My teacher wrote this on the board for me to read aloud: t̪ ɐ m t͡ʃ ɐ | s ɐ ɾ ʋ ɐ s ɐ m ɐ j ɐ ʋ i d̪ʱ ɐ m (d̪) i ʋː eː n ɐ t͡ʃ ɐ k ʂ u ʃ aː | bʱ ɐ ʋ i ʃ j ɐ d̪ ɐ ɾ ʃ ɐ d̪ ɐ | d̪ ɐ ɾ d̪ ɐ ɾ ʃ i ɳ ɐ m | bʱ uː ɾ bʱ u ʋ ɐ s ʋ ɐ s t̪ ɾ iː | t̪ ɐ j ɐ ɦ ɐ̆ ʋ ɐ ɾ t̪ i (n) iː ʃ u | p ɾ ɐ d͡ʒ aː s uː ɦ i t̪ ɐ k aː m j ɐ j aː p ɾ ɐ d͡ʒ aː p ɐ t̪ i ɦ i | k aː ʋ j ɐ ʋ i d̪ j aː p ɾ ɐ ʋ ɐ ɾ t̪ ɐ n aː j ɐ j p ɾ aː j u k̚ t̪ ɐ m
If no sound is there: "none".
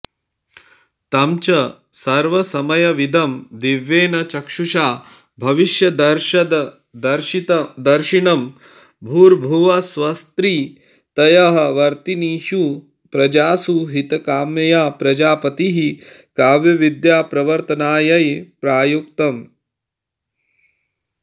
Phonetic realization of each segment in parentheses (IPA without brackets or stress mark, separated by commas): d̪, n